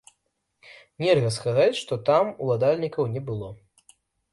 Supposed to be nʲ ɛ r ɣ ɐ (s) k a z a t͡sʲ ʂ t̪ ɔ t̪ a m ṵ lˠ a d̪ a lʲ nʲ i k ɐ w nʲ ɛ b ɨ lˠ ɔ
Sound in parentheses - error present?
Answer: no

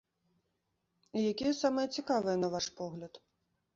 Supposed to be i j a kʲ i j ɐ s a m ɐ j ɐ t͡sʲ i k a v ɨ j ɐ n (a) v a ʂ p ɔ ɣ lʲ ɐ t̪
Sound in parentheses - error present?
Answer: yes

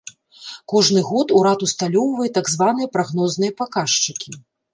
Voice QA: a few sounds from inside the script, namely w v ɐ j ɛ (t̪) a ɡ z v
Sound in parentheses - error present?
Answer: no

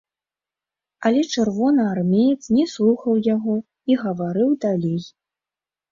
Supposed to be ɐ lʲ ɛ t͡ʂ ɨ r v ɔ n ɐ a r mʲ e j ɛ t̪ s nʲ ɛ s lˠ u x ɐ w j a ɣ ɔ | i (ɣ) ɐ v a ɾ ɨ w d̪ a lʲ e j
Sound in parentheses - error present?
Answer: no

